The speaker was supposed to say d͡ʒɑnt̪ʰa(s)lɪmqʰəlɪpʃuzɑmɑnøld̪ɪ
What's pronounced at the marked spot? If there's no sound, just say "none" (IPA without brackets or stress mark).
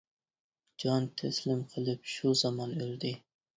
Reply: s